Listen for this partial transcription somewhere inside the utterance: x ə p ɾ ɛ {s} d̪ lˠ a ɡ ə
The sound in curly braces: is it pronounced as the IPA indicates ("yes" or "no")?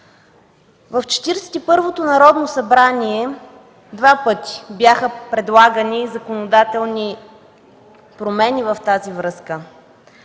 no